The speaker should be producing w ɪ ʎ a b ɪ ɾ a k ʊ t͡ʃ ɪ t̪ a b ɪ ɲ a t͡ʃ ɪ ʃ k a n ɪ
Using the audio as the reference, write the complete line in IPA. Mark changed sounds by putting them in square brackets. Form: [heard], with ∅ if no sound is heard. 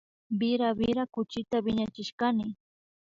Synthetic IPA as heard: [b] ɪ [ɾ] a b ɪ ɾ a k ʊ t͡ʃ ɪ t̪ a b ɪ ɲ a t͡ʃ ɪ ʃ k a n ɪ